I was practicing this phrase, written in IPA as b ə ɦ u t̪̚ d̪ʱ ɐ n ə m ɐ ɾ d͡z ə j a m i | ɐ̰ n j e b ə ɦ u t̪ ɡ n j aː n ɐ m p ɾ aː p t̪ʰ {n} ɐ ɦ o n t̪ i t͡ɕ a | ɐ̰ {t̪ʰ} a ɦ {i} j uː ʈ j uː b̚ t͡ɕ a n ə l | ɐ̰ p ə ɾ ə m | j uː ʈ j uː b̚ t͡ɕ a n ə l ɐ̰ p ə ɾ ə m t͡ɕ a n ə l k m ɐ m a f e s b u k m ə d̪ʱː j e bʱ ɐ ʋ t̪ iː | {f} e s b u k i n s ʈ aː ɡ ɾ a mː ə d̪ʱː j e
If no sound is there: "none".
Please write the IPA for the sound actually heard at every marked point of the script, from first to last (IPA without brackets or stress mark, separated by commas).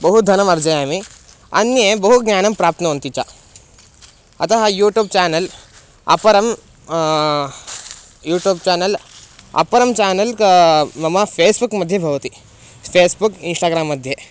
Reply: n, t̪, a, f